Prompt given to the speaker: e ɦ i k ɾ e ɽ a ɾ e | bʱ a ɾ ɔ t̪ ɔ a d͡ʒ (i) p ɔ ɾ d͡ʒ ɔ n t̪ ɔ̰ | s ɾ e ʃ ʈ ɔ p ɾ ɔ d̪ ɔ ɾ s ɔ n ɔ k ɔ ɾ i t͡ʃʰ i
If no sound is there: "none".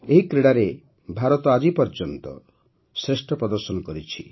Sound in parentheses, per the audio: i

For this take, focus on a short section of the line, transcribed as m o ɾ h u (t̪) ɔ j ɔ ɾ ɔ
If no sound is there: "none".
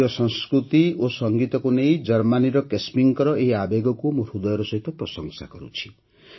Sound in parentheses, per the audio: d̪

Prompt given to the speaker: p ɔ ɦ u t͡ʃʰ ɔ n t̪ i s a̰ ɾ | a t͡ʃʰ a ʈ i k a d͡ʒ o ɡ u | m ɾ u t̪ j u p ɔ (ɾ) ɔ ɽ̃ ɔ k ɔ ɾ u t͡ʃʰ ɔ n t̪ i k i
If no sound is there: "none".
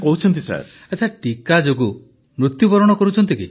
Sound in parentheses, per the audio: ɾ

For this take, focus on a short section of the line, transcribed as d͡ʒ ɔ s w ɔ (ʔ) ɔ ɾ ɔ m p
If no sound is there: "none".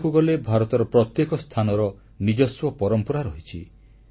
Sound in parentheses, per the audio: p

